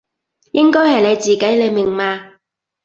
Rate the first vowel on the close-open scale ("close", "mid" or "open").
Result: close